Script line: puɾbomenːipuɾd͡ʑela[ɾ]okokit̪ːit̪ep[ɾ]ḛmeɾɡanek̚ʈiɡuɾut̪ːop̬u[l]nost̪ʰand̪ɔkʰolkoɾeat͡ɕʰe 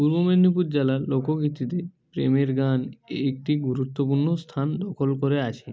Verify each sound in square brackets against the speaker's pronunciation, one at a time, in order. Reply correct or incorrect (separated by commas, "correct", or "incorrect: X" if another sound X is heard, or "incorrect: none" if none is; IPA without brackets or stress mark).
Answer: incorrect: l, correct, incorrect: ɾ